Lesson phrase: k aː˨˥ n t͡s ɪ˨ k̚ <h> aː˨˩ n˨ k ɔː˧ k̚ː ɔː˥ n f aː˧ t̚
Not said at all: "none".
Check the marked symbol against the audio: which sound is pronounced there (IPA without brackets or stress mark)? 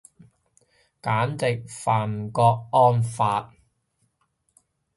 f